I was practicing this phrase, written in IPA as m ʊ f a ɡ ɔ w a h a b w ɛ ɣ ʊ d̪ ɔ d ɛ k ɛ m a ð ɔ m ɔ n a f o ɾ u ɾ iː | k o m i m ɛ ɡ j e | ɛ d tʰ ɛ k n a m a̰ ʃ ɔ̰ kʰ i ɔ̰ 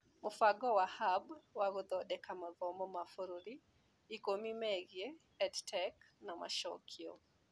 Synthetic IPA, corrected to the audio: m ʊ f a ɡ ɔ w a h a b w a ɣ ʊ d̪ ɔ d ɛ k a m a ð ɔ m ɔ m a f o ɾ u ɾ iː | k o m i m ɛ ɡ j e | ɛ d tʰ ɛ k n a m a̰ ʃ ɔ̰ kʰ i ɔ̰

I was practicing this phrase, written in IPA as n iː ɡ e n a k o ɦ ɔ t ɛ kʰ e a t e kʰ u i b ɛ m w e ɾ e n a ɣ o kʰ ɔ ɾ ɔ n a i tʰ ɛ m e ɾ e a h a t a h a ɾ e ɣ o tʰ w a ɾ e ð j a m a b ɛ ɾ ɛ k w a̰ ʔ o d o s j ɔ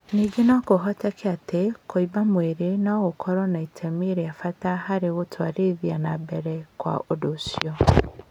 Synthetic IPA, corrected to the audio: n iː ɡ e n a k o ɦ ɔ t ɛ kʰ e a t e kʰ o i b a m w e ɾ e n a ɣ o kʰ ɔ ɾ ɔ n a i tʰ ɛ m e ɾ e a f a t a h a ɾ e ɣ o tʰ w a ɾ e ð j a n a b ɛ ɾ ɛ k w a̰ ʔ o d o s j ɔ

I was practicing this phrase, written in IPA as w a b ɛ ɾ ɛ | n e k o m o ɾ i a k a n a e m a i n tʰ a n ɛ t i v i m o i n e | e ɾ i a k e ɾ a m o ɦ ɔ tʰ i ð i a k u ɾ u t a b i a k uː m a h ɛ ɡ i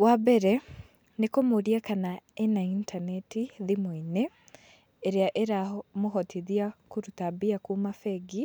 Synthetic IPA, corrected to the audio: w a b ɛ ɾ ɛ | n e k o m o ɾ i a k a n a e n a i n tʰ a n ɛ t i ð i m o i n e | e ɾ e a ʔ e ɾ a m o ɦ ɔ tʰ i ð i a k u ɾ u t a b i a k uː m a f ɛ ɡ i

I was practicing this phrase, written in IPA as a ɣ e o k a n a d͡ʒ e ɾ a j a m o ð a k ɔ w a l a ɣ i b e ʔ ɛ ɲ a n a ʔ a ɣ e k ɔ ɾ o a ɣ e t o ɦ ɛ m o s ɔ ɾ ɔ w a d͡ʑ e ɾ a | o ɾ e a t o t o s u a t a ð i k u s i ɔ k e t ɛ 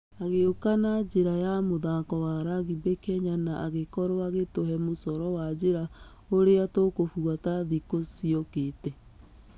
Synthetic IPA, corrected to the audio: a ɣ e o k a n a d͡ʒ e ɾ a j a m o ð a k ɔ w a ɾ a ɣ i b e k ɛ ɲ a n a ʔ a ɣ e k ɔ ɾ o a ɣ e t o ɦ ɛ m o s ɔ ɾ ɔ w a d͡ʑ e ɾ a | o ɾ e a t o k o f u a t a ð i k o s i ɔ k e t ɛ

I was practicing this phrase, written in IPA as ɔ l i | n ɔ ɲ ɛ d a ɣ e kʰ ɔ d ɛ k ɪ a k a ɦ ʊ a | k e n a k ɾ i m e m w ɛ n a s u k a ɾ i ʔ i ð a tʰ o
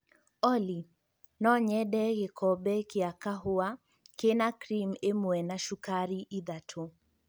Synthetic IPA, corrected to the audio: ɔ l i | n ɔ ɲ ɛ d ɛ ɣ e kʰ ɔ b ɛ k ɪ a k a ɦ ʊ a | k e n a k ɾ i m e m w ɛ n a ʃ u k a ɾ i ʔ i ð a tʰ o

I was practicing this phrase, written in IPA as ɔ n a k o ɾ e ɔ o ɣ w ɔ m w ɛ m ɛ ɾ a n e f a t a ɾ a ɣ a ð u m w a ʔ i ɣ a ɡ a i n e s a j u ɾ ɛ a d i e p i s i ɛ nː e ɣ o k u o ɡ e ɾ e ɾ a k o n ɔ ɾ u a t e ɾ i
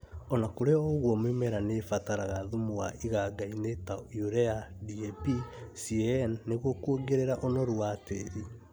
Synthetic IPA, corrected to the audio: ɔ n a k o ɾ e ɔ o ɣ w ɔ m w e m ɛ ɾ a n e f a t a ɾ a ɣ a ð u m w a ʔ i ɣ a ɡ a i n e t a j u ɾ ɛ a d i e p i s i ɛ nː e ɣ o k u o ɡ e ɾ e ɾ a ʔ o n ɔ ɾ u a t e ɾ i

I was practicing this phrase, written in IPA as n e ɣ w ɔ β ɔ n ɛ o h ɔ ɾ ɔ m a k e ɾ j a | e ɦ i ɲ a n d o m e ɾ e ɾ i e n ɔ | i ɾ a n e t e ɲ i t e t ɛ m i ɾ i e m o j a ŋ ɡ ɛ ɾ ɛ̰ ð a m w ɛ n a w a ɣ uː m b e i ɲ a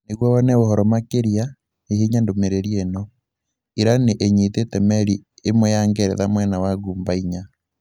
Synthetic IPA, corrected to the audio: n e ɣ w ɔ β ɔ n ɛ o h ɔ ɾ ɔ m a k e ɾ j a | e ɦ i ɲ a n d o m e ɾ e ɾ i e n ɔ | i ɾ a n e ʔ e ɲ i t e t ɛ m ɛ ɾ i e m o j a ŋ ɡ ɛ ɾ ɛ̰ ð a m w ɛ n a w a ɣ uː m b a i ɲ a

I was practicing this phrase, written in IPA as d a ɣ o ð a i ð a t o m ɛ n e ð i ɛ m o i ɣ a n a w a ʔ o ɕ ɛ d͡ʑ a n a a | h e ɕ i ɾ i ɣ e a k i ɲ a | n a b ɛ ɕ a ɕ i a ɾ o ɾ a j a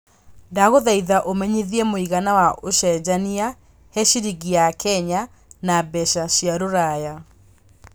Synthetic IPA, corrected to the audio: d a ɣ o ð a i ð a ʔ o m ɛ ɲ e ð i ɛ m o i ɣ a n a w a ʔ o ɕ ɛ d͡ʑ a n i a | h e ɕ i ɾ i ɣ i a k ɛ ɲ a | n a b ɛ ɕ a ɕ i a ɾ o ɾ a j a

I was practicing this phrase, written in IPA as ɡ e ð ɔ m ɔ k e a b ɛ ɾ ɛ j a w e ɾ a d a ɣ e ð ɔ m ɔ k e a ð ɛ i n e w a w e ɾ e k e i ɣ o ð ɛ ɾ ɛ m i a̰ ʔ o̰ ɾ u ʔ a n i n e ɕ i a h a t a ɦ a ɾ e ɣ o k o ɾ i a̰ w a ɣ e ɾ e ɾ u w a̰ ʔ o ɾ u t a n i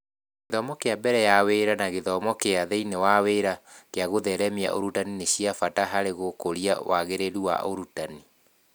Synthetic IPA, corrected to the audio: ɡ e ð ɔ m ɔ k e a b ɛ ɾ ɛ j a w e ɾ a n a ɣ e ð ɔ m ɔ k e a ð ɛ i n e w a w e ɾ a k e a ɣ o ð ɛ ɾ ɛ m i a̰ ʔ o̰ ɾ u t a n i n e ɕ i a f a t a ɦ a ɾ e ɣ o k o ɾ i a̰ w a ɣ e ɾ e ɾ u w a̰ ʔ o ɾ u t a n i

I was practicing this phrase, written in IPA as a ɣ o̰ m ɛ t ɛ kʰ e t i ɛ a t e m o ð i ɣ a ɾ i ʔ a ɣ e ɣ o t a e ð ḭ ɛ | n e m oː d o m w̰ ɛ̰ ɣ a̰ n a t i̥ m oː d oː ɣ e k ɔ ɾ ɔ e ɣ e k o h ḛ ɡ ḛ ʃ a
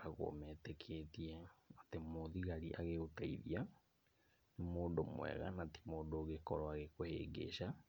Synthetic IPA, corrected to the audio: a ɣ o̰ m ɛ t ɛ kʰ e t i ɛ a t e m o ð i ɣ a ɾ i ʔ a ɣ e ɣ o t a i ð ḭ a | n e m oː d o m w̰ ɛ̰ ɣ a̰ n a t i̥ m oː d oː ɣ e k ɔ ɾ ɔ a ɣ e k o h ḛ ɡ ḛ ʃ a

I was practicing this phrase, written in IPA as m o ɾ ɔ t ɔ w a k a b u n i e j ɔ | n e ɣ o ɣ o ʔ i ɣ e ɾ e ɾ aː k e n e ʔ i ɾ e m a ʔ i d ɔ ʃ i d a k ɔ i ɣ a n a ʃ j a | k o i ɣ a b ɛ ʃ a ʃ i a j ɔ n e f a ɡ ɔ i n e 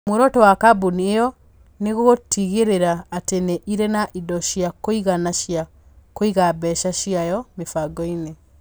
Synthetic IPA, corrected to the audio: m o ɾ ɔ t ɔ w a k a b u n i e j ɔ | n e ɣ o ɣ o t i ɣ e ɾ e ɾ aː t e n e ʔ i ɾ e n a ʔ i d ɔ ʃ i a k o i ɣ a n a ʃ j a | k o i ɣ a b ɛ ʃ a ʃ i a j ɔ m e f a ɡ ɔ i n e

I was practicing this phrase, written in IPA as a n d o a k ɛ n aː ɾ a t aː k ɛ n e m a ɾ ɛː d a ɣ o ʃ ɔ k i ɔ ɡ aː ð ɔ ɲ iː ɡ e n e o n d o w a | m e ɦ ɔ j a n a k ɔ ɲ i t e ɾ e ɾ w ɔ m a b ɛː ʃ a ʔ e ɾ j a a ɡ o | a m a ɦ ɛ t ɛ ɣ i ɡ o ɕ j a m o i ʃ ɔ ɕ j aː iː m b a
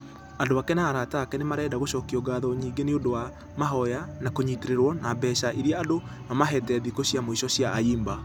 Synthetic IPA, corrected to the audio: a n d o a k ɛ n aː ɾ a t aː k ɛ n e m a ɾ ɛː d a ɣ o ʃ ɔ k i ɔ ɡ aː ð ɔ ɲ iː ɡ e n e o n d o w a | m a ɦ ɔ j a n a k o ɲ i t e ɾ e ɾ w ɔ n a b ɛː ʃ a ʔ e ɾ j a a d o | a m a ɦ ɛ t ɛ ð i k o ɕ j a m o i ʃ ɔ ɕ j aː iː m b a

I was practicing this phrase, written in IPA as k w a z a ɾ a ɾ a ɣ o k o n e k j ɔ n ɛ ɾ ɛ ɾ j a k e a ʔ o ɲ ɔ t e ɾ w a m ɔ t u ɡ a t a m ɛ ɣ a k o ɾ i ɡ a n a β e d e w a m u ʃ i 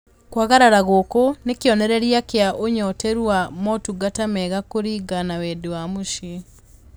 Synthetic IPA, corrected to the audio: k w a ɣ a ɾ a ɾ a ɣ o k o n e k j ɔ n ɛ ɾ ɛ ɾ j a k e a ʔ o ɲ ɔ t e ɾ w a m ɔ t u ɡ a t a m ɛ ɣ a k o ɾ i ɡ a n a w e d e w a m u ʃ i

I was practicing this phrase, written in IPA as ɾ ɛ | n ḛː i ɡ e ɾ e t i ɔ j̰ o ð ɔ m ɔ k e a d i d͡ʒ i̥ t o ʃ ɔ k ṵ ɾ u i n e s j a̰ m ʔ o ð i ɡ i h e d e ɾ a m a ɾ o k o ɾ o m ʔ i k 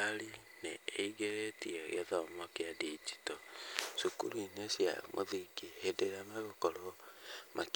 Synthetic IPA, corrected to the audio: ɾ i | n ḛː i ɡ e ɾ e t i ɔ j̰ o ð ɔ m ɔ k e a d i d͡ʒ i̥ t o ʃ u k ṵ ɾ u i n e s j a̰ m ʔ o ð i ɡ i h e d e ɾ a m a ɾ o k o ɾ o m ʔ a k

